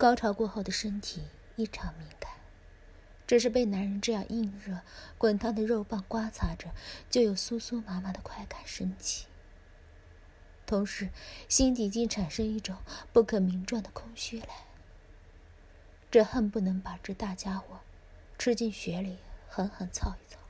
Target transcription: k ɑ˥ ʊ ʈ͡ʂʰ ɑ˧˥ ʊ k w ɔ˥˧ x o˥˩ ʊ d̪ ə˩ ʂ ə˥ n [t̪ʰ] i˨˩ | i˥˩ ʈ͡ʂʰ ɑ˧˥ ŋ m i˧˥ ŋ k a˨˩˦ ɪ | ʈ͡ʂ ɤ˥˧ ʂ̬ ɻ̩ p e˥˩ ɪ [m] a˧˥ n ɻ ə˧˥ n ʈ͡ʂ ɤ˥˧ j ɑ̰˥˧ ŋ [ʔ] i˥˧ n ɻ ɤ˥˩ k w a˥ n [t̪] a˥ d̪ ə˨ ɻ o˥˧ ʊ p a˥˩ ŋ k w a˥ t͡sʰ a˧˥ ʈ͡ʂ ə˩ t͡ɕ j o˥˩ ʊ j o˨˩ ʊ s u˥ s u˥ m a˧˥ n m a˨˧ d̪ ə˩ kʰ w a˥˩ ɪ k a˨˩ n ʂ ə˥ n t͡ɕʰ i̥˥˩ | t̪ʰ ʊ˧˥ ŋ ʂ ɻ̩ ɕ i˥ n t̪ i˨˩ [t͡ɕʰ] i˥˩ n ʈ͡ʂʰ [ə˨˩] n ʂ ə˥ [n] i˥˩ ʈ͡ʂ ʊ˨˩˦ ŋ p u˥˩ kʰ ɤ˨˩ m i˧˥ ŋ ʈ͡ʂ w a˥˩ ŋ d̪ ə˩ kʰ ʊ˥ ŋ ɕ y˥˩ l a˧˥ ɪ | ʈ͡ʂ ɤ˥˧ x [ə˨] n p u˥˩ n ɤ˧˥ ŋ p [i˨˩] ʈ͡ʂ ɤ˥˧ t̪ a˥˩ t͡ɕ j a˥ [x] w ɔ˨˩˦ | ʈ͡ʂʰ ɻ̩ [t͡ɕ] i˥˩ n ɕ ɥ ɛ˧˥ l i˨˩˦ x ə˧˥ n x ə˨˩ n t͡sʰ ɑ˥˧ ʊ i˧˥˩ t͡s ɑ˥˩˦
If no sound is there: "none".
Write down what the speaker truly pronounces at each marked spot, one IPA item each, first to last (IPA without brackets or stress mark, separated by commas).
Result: t̪ʰ, n, ʔ, t̪ʰ, t͡ɕ, a˨˩, ŋ, ə˥˧, a˨˩, x, t͡ɕ